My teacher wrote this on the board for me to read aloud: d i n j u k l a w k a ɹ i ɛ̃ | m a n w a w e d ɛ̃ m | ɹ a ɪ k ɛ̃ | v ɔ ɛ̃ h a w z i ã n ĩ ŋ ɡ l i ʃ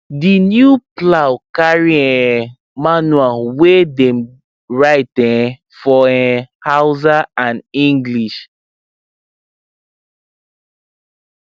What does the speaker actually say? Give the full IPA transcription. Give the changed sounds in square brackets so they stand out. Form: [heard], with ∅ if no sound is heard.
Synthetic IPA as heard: d i n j u [p] l a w k a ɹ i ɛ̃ | m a n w a w e d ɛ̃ m | ɹ a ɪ [t] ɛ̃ | [f] ɔ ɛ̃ h a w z [a] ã n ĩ ŋ ɡ l i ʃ